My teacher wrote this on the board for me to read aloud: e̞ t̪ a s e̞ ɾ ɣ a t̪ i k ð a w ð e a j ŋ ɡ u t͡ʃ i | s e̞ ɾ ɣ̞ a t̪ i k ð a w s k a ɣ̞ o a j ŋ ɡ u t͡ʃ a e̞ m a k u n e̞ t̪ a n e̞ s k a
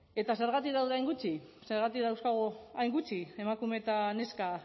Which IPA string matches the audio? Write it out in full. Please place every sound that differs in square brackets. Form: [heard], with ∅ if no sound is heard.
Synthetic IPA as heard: e̞ t̪ a s e̞ ɾ ɣ a t̪ i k ð a w ð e a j ŋ ɡ u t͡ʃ i | s e̞ ɾ ɣ̞ a t̪ i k ð a w s k a ɣ̞ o a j ŋ ɡ u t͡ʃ [i] e̞ m a k u [m] e̞ t̪ a n e̞ s k a